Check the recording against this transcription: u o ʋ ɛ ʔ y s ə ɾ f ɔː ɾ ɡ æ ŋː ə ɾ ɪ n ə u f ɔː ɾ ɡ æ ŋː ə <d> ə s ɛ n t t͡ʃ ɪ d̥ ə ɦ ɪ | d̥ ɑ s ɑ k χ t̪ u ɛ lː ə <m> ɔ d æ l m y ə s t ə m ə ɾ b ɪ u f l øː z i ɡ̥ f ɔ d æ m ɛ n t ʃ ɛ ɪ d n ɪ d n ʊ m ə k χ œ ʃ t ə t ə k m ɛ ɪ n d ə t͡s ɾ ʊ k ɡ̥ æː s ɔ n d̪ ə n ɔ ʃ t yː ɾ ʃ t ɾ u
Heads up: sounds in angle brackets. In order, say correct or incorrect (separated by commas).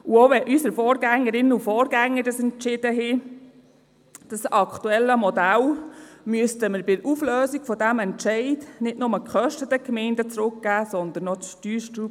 correct, correct